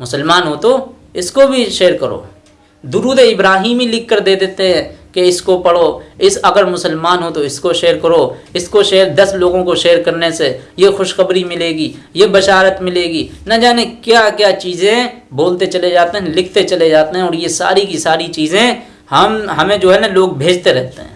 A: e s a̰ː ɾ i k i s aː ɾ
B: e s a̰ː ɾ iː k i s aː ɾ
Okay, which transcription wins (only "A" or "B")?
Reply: A